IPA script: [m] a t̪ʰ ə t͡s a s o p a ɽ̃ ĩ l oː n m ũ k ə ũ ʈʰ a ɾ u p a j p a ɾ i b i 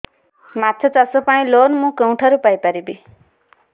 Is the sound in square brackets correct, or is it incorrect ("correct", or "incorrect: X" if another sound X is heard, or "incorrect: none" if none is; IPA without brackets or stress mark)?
correct